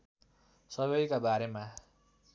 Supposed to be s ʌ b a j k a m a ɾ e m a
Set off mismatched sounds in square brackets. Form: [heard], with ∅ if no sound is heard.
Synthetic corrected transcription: s ʌ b [ʌ] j k a [b] a ɾ e m a